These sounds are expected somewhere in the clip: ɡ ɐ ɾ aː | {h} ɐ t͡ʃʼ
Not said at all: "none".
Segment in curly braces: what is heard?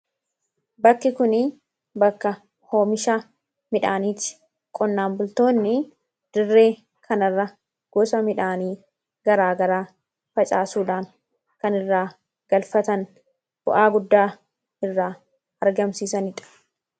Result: f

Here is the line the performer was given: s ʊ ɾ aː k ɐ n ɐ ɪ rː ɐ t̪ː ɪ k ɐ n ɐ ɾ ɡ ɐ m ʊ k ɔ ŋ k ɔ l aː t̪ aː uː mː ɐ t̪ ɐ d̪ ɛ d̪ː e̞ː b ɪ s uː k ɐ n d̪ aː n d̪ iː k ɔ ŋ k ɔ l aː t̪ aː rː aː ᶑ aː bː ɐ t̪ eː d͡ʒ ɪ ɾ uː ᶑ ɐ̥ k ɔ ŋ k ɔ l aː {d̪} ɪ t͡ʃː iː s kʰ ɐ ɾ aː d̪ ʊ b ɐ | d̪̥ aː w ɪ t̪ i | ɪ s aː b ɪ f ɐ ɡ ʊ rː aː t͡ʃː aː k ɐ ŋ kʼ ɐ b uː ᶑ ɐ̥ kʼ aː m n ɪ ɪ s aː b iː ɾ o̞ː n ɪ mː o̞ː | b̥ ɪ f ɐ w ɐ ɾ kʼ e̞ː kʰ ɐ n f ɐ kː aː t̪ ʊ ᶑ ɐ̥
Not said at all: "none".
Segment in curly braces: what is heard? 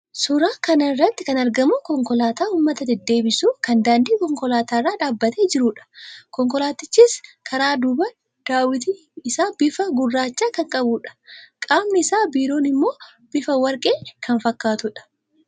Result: t̪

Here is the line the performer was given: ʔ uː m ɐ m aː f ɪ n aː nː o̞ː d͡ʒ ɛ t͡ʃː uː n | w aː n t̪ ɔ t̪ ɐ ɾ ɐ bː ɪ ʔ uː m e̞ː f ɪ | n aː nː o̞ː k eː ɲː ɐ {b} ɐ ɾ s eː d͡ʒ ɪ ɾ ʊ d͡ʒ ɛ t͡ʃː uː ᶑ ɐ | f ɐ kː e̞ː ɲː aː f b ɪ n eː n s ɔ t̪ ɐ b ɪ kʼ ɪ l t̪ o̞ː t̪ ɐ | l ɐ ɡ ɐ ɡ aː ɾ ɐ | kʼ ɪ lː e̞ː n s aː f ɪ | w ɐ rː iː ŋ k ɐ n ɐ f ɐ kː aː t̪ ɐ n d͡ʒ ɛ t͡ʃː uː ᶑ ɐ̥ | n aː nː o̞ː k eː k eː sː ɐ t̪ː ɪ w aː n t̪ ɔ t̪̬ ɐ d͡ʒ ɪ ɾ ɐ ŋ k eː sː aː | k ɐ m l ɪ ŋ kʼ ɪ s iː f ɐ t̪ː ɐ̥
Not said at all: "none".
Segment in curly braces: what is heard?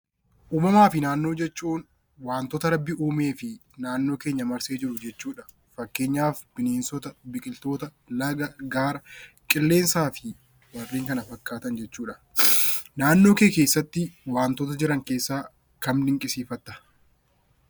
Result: m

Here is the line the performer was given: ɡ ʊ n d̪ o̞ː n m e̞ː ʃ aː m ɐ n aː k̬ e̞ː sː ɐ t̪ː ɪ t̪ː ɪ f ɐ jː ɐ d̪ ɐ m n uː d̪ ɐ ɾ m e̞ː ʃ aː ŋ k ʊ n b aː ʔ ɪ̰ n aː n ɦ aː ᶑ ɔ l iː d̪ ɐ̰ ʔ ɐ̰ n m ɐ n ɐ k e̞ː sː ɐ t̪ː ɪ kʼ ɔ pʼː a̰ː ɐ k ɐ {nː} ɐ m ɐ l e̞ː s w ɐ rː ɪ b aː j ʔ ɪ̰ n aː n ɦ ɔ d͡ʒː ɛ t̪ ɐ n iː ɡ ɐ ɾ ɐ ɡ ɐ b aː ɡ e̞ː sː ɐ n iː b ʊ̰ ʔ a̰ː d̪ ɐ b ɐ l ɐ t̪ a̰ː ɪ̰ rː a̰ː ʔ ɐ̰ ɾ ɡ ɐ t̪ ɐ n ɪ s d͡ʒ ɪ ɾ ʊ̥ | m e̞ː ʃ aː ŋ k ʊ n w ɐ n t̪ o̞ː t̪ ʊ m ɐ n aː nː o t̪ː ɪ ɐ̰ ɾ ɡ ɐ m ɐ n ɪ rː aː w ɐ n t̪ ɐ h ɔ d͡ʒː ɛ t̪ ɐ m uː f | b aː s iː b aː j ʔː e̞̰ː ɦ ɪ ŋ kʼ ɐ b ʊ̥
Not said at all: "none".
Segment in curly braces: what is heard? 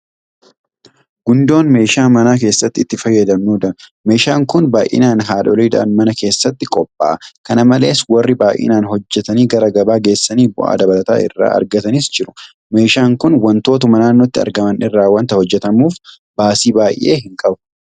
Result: n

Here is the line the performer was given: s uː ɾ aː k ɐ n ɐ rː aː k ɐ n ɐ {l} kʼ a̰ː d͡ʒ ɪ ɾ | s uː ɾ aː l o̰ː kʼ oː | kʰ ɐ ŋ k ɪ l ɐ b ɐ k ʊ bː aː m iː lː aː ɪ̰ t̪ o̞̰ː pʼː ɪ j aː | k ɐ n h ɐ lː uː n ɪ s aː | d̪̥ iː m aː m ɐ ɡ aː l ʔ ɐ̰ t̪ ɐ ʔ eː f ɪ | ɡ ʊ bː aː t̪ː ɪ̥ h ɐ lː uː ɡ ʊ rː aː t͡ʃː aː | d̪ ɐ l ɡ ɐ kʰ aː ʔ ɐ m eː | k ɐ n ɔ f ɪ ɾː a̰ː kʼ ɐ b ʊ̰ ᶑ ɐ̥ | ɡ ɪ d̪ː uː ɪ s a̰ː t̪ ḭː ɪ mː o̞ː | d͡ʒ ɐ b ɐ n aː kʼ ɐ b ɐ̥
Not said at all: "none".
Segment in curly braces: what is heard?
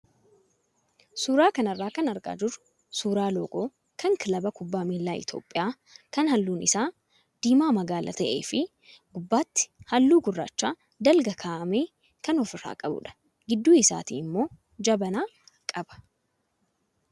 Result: ɾ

